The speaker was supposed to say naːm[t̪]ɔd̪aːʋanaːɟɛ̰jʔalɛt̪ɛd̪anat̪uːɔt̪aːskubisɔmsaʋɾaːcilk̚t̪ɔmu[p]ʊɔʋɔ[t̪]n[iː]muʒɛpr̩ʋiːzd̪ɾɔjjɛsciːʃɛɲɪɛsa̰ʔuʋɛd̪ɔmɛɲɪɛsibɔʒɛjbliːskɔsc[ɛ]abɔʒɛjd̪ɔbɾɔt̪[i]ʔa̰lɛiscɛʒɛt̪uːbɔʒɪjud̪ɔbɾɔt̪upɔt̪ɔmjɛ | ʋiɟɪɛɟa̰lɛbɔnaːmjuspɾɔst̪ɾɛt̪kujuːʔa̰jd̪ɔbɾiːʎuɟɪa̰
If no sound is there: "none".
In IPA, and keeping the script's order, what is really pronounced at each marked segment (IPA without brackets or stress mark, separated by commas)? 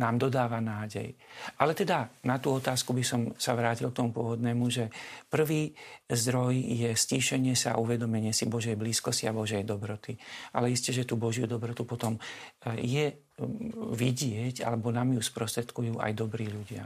d̪, p, d̪, ɛː, i, i